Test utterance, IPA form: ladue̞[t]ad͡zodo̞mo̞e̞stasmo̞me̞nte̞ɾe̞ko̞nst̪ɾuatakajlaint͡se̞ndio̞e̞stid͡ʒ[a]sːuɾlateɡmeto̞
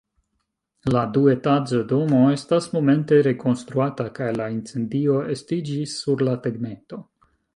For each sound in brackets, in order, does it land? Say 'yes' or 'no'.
yes, no

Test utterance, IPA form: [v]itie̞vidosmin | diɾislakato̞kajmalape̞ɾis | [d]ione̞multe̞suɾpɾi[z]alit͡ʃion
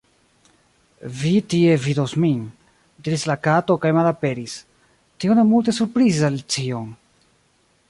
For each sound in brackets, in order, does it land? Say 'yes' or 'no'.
yes, no, yes

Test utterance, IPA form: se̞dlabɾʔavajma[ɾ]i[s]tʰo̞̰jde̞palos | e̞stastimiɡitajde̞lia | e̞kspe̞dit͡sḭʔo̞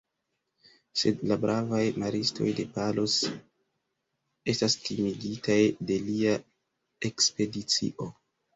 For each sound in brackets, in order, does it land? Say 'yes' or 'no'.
yes, yes

